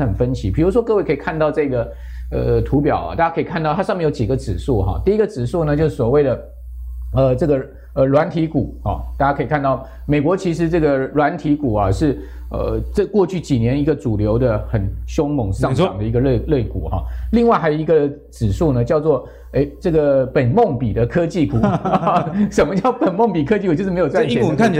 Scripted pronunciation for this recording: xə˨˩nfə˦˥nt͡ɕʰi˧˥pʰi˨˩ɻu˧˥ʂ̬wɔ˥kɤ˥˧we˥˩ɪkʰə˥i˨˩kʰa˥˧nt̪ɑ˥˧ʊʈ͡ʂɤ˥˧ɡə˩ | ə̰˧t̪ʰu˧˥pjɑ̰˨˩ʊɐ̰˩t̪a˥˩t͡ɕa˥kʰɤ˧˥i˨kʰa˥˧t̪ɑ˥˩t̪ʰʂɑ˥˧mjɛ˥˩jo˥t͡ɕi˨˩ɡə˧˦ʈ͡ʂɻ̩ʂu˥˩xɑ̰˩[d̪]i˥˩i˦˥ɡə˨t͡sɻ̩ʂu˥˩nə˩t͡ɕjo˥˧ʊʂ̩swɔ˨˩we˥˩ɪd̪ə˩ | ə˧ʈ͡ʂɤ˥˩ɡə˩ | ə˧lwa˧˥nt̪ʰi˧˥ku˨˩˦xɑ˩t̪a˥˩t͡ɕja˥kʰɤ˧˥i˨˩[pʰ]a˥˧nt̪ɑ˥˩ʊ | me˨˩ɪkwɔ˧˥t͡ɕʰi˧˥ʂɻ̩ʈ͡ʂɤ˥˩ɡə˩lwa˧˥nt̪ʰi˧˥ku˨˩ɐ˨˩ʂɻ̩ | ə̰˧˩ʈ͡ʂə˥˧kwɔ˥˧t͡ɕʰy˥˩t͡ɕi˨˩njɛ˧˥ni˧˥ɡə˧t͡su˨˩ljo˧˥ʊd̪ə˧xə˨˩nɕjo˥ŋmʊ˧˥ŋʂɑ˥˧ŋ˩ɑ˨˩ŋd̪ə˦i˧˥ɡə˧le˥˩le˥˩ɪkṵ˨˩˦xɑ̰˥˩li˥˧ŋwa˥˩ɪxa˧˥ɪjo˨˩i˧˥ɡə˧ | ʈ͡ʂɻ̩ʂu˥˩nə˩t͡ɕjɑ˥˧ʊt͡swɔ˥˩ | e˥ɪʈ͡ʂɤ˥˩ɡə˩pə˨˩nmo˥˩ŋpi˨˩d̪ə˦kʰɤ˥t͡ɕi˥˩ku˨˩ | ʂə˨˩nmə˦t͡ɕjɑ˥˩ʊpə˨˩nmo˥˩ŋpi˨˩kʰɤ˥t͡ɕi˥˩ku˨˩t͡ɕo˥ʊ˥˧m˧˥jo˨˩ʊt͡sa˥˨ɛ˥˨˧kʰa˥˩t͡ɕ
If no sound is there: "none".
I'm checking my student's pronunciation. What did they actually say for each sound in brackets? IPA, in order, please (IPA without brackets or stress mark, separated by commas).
t̪, kʰ